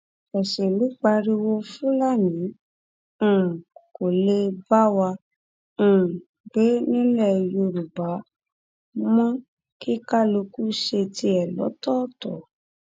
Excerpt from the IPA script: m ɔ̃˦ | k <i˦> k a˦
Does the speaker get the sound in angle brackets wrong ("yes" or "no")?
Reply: no